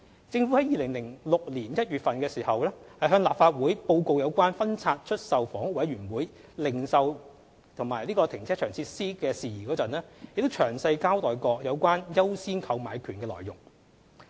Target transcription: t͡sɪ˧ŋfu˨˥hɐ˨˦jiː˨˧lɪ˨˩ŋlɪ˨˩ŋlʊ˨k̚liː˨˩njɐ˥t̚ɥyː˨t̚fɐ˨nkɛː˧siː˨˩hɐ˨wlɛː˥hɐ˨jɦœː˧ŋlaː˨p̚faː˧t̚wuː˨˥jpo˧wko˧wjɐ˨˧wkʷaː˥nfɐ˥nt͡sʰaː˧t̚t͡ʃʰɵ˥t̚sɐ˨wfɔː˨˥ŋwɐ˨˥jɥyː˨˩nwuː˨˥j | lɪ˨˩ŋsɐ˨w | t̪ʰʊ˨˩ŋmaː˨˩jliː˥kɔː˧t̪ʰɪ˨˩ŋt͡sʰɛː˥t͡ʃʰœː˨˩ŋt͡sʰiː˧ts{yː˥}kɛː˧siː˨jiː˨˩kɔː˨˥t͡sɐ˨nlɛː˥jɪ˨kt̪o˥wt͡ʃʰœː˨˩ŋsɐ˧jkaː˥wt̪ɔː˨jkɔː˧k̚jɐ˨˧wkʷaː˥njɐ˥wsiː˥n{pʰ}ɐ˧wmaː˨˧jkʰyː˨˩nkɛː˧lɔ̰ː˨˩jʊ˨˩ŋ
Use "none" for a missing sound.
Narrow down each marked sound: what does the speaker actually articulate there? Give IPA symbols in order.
iː˥, kʰ

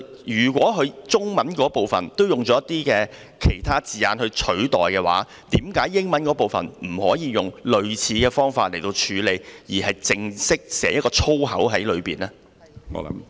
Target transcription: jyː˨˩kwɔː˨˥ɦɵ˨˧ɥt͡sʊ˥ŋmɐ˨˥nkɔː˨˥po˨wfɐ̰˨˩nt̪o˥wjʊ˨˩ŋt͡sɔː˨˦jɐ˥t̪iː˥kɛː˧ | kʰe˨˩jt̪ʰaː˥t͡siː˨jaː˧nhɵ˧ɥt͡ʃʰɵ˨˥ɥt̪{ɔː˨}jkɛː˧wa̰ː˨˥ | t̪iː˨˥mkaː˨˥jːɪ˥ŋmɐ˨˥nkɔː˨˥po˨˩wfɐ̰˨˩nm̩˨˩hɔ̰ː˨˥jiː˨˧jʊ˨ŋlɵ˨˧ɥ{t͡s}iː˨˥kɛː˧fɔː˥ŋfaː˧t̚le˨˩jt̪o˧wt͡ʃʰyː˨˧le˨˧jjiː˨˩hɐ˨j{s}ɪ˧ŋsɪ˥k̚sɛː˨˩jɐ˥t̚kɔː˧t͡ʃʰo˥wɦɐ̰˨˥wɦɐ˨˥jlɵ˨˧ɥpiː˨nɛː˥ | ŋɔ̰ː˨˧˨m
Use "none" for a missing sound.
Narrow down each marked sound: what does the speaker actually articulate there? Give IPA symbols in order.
ɔː˨, t͡sʰ, t͡s

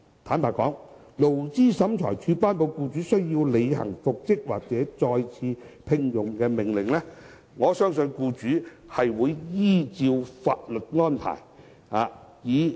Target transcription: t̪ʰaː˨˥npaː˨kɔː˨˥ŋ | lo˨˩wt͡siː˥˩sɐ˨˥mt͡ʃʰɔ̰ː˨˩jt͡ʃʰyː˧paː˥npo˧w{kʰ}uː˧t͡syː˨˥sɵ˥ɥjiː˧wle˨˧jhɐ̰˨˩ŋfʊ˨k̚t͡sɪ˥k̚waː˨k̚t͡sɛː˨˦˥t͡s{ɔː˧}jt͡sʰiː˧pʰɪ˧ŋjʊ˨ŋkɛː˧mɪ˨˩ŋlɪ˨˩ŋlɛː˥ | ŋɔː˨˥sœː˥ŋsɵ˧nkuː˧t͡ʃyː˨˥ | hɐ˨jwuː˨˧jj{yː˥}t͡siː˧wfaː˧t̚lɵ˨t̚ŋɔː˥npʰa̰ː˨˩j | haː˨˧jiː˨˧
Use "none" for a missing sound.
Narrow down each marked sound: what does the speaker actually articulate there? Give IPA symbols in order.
k, ɔː˧, iː˥

